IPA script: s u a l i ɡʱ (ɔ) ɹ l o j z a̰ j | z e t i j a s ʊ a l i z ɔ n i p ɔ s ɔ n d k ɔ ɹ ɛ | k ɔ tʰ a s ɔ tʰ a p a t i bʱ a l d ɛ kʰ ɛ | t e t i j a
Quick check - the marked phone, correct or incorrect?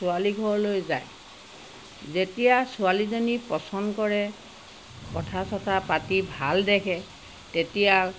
correct